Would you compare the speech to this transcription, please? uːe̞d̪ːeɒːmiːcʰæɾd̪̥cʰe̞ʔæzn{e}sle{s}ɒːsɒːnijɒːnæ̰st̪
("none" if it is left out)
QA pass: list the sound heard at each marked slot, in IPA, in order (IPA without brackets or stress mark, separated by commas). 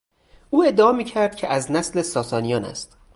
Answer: æ, s